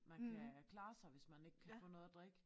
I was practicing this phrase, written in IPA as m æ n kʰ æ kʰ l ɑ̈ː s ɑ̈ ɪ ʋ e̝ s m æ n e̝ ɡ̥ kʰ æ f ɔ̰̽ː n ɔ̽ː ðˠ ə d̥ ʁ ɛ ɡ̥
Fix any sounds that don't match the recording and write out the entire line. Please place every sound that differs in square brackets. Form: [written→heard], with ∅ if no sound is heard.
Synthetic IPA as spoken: m æ n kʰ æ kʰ l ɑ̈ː s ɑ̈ ɪ ʋ e̝ s m æ n e̝ ɡ̥ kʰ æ f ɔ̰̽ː n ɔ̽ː ðˠ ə d̥ ʁ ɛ ɡ̥